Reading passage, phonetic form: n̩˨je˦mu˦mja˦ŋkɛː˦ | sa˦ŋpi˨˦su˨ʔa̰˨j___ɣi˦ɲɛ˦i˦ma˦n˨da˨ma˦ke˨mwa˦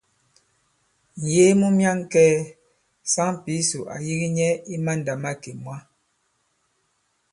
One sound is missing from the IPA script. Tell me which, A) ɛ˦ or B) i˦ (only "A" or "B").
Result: B